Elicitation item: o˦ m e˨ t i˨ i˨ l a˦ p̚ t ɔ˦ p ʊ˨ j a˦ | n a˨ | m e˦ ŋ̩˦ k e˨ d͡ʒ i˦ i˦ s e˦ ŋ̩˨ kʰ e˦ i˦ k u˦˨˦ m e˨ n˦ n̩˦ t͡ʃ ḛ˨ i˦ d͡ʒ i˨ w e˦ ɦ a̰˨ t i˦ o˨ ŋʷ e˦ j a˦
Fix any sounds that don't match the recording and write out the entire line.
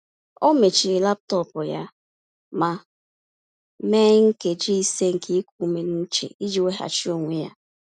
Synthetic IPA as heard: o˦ m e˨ t͡ʃ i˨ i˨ l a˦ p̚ t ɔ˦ p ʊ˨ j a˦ | m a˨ | m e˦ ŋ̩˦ k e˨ d͡ʒ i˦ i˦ s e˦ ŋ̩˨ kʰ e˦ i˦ k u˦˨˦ m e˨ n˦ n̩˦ t͡ʃ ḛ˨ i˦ d͡ʒ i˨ w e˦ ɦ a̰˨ t͡ʃ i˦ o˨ ŋʷ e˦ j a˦